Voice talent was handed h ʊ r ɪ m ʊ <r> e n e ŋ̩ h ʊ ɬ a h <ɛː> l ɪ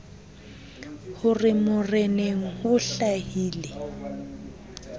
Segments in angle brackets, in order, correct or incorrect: correct, incorrect

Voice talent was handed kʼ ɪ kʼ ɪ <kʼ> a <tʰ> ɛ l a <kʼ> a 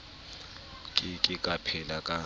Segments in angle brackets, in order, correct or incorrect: correct, incorrect, correct

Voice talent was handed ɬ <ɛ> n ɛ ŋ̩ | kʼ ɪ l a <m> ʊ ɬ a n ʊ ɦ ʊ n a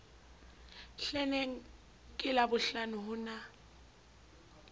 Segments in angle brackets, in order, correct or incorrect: correct, incorrect

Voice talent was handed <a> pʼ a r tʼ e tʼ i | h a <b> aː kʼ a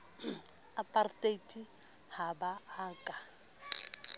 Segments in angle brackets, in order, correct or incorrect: correct, correct

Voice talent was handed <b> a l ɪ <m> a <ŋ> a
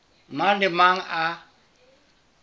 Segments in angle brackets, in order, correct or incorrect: incorrect, correct, correct

